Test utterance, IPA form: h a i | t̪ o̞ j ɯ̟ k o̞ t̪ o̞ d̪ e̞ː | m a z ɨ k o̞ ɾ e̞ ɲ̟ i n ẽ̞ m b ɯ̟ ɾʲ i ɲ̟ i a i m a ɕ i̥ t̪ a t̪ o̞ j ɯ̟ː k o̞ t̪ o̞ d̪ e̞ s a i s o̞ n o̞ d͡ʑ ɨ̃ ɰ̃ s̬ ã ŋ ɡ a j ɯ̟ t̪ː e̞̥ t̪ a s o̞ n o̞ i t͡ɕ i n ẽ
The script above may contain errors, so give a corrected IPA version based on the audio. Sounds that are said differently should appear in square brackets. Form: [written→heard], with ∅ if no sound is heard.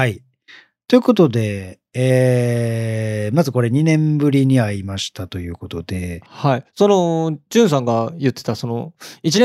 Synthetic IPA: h a i | t̪ o̞ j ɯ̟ k o̞ t̪ o̞ d̪ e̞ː | m a z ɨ k o̞ ɾ e̞ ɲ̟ i n ẽ̞ m b ɯ̟ ɾʲ i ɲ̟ i a i m a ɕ i̥ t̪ a t̪ o̞ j ɯ̟ː k o̞ t̪ o̞ d̪ e̞ [s→h] a i s o̞ n o̞ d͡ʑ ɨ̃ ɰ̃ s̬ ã ŋ ɡ a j ɯ̟ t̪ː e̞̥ t̪ a s o̞ n o̞ i t͡ɕ i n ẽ